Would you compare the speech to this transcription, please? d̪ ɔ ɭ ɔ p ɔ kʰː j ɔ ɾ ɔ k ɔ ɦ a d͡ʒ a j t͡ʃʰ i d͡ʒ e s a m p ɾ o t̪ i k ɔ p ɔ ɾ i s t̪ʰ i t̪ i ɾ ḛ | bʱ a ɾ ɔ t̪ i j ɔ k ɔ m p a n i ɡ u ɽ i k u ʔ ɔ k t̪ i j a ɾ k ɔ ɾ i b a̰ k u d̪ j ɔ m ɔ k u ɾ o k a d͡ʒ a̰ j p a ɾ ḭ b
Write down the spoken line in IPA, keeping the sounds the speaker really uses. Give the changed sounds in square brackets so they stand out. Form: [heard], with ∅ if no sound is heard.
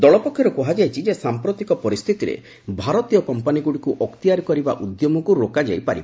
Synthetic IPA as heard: d̪ ɔ ɭ ɔ p ɔ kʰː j ɔ ɾ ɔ k ɔ ɦ a d͡ʒ a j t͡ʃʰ i d͡ʒ e s a m p ɾ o t̪ i k ɔ p ɔ ɾ i s t̪ʰ i t̪ i ɾ ḛ | bʱ a ɾ ɔ t̪ i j ɔ k ɔ m p a n i ɡ u ɽ i k u ʔ ɔ k t̪ i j a ɾ k ɔ ɾ i b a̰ [ʔ] u d̪ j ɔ m ɔ k u ɾ o k a d͡ʒ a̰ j p a ɾ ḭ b